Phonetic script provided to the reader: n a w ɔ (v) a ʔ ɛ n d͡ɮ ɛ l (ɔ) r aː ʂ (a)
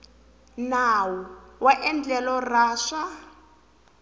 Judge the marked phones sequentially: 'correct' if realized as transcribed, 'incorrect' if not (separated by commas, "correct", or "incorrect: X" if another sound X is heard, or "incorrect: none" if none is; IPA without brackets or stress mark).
incorrect: w, correct, correct